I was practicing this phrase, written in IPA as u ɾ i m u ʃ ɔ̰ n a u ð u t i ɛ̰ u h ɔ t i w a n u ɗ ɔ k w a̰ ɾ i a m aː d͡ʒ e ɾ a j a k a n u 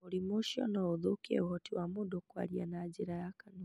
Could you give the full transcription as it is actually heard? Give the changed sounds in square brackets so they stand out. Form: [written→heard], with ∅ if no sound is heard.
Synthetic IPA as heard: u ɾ i m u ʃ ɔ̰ n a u ð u [t→k] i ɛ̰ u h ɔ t i w a [n→m] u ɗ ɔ k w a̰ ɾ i a [m→n] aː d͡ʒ [e→i] ɾ a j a k a n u